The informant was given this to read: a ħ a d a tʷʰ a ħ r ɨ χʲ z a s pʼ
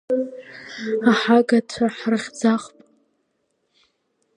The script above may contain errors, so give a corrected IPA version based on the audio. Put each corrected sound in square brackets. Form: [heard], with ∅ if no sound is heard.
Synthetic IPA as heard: a ħ a [ɡ] a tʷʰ a ħ r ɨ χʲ [d͡z] a [χ] pʼ